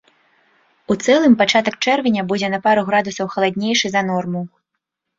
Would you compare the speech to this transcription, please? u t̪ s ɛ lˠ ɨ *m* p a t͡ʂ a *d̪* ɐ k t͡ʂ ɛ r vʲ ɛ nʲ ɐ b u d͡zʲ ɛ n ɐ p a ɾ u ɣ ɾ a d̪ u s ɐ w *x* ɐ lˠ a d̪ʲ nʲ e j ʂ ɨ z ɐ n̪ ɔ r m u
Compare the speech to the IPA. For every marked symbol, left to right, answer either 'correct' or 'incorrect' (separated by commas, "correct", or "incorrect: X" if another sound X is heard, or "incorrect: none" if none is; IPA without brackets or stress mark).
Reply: correct, incorrect: t̪, correct